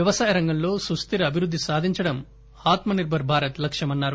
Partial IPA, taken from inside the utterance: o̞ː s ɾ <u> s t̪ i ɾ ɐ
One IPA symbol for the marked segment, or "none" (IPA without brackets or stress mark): u